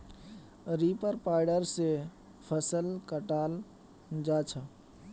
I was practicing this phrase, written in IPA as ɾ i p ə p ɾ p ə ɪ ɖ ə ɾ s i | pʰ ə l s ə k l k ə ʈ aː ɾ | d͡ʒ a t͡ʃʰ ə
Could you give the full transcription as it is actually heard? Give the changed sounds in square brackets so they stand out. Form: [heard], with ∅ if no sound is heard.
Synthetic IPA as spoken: ɾ i p ə [∅] ɾ p [a] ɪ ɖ ə ɾ s [e] | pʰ ə [∅] s ə [∅] l k ə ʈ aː [l] | d͡ʒ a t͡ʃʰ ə